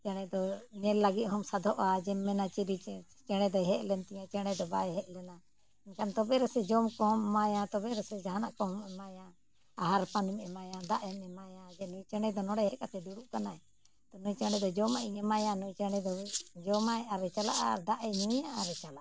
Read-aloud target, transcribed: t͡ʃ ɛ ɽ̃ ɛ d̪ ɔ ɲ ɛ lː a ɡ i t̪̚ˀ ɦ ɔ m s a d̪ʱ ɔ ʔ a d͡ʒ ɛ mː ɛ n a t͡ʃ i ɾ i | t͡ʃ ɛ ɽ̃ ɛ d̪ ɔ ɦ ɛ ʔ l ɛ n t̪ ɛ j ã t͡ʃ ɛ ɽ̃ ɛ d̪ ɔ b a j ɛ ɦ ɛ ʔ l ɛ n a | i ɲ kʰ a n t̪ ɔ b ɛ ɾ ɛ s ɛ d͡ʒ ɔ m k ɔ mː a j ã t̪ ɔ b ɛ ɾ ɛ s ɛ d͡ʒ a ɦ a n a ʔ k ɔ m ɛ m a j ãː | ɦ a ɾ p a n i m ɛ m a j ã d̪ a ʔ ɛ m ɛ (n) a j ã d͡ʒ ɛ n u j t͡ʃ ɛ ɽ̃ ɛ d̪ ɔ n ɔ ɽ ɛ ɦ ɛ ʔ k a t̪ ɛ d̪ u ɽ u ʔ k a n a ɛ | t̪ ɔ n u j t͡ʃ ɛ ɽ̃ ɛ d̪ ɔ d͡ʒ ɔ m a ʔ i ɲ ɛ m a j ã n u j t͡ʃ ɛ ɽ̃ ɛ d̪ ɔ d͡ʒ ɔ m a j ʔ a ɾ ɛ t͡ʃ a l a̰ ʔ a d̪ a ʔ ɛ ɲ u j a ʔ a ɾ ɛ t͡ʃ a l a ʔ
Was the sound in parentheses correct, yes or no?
no